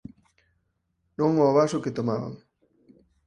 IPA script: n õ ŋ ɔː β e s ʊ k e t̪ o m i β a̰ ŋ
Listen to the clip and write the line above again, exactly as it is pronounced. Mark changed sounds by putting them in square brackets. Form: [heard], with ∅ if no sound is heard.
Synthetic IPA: n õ ŋ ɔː β [a] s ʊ k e t̪ o m [a] β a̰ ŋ